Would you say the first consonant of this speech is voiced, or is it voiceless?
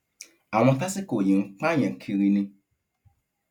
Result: voiced